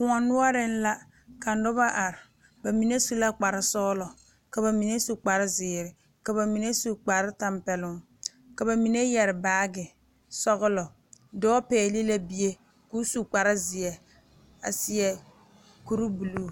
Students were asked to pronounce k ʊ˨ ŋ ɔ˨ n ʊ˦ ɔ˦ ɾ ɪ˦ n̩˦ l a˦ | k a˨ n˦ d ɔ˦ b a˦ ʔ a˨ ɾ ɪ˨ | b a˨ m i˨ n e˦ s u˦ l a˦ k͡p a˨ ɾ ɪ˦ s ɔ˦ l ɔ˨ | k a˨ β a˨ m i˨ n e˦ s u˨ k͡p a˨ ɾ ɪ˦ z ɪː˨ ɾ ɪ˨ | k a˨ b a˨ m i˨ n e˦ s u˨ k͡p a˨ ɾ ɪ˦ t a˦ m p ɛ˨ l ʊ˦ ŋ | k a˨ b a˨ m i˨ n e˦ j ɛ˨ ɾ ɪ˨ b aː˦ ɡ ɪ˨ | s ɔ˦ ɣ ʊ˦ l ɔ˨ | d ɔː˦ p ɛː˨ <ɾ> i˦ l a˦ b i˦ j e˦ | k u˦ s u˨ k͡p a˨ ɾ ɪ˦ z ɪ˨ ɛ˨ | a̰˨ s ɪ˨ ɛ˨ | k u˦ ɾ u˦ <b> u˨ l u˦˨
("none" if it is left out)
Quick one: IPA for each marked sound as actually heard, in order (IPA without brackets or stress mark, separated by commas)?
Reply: l, b